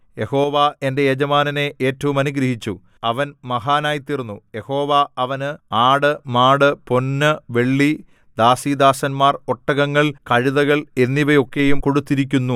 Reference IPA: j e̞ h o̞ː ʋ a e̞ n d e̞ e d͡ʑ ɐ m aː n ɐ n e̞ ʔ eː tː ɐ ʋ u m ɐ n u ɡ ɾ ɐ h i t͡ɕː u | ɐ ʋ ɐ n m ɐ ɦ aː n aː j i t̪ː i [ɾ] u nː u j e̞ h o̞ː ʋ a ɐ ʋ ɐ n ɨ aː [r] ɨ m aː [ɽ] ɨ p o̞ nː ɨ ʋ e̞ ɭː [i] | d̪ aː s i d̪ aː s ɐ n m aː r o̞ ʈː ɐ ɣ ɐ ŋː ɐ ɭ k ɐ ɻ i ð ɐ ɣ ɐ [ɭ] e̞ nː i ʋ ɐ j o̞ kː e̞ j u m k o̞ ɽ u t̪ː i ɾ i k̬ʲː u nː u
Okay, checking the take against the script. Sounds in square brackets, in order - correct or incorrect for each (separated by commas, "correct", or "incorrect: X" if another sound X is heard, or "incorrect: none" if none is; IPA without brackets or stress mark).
incorrect: r, incorrect: ɽ, correct, correct, correct